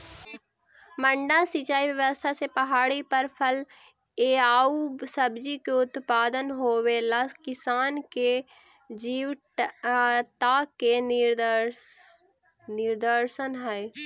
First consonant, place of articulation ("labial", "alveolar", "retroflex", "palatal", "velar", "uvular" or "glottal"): labial